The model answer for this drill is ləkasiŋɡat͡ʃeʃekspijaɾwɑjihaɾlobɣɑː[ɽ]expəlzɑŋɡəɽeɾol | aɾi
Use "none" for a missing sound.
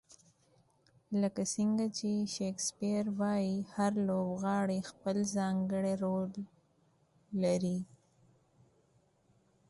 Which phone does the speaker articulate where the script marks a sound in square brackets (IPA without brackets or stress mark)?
ɽ